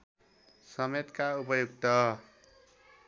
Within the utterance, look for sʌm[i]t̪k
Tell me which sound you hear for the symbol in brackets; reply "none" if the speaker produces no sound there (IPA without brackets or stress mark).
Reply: e